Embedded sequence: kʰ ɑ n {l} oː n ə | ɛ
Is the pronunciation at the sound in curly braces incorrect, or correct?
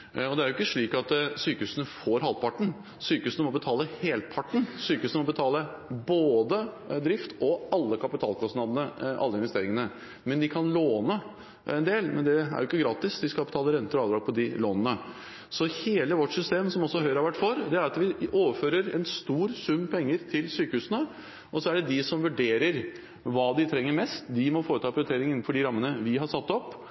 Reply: correct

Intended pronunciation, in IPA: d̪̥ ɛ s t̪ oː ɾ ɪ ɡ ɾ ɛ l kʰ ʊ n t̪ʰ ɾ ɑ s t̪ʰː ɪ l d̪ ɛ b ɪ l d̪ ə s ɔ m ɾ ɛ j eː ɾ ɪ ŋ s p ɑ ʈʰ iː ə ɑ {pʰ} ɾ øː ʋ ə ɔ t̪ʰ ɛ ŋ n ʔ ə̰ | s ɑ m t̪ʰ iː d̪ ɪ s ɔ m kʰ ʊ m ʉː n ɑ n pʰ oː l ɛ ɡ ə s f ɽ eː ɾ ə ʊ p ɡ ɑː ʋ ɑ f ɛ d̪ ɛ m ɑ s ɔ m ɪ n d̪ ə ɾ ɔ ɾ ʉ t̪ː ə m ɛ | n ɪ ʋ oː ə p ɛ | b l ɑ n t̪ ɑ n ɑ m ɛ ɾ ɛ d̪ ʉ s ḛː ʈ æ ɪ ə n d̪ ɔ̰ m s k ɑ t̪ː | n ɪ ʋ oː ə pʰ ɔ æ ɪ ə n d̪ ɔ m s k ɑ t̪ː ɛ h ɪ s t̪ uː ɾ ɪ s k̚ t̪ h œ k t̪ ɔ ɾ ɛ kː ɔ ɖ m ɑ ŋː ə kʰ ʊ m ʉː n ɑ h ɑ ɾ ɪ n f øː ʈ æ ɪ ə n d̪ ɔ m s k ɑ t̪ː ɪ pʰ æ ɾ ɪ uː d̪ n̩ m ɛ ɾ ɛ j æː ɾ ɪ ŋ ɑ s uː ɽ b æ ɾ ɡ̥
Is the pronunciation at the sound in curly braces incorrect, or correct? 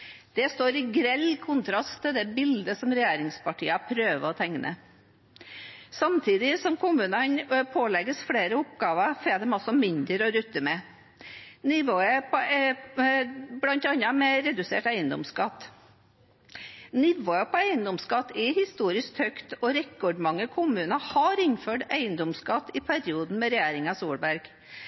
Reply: correct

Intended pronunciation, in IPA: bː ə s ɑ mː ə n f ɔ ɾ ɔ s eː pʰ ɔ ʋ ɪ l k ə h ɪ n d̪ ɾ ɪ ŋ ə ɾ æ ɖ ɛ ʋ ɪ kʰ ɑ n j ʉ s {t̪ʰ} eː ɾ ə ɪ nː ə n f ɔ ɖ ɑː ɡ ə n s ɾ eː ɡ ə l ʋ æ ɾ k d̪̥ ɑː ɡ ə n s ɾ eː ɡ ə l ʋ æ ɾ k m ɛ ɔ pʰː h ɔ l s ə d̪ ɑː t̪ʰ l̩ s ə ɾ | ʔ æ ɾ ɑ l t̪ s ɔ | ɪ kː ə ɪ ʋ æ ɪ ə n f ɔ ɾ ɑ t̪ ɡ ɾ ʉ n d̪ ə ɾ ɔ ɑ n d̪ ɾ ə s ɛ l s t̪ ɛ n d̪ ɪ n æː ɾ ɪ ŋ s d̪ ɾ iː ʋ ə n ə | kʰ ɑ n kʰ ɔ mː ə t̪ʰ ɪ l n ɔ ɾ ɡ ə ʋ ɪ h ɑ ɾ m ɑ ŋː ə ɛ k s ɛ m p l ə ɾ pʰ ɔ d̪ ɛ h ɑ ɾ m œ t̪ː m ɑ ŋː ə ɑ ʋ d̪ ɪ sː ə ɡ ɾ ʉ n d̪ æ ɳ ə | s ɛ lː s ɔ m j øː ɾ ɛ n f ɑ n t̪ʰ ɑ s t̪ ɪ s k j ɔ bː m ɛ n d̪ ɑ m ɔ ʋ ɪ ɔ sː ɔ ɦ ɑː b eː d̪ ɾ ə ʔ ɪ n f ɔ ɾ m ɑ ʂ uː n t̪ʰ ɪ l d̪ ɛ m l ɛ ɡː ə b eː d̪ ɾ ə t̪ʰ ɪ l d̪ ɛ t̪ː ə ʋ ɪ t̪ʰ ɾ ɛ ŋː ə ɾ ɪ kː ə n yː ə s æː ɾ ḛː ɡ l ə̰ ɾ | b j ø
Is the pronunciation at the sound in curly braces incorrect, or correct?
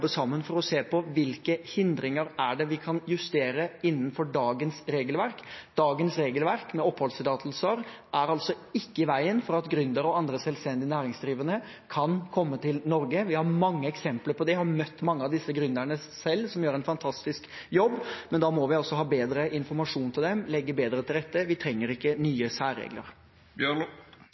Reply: incorrect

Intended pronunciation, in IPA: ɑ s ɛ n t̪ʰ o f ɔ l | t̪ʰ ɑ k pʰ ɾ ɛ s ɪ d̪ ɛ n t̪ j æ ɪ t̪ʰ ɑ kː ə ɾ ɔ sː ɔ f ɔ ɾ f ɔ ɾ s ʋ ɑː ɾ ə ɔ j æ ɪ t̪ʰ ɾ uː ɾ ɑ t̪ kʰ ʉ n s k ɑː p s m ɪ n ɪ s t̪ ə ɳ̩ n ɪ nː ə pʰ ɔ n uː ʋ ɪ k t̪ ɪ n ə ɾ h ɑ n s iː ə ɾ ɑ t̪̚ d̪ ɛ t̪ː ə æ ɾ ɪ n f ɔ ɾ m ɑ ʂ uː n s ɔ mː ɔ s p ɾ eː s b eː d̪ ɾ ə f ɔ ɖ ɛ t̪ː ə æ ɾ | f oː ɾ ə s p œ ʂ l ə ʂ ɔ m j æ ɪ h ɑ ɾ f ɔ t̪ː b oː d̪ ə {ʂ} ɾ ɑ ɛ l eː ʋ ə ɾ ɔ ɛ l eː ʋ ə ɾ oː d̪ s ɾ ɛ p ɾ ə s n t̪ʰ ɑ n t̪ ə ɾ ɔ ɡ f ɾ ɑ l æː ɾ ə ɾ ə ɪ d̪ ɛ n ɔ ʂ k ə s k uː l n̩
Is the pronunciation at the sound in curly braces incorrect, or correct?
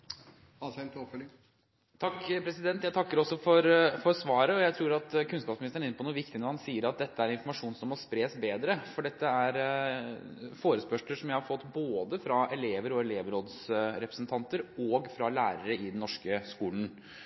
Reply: incorrect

